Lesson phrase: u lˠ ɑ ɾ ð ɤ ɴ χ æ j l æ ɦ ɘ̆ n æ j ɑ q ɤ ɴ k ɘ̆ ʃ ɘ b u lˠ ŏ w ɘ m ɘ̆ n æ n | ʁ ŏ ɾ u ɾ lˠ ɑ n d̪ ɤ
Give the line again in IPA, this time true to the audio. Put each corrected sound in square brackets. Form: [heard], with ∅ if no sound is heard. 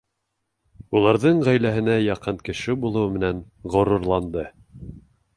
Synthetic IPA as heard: u lˠ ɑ ɾ ð ɤ ɴ [ʁ] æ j l æ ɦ ɘ̆ n æ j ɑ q ɤ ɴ k ɘ̆ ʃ ɘ b u lˠ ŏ w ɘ m ɘ̆ n æ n | ʁ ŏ ɾ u ɾ lˠ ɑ n d̪ ɤ